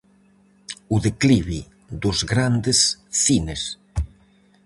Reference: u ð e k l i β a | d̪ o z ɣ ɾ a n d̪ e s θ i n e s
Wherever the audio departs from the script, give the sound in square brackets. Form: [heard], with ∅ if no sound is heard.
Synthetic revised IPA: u ð e k l i β [i] | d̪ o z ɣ ɾ a n d̪ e s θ i n e s